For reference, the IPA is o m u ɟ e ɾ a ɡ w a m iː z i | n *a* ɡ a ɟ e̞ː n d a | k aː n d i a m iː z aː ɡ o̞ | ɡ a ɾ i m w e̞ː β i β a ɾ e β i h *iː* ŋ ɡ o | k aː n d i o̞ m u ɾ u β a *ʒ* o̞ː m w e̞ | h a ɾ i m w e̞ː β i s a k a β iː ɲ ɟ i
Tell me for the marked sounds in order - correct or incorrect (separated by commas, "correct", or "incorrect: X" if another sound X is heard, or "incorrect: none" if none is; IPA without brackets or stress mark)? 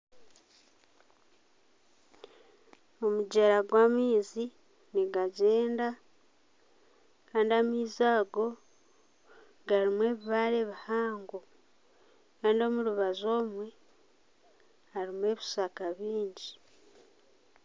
incorrect: i, incorrect: aː, incorrect: z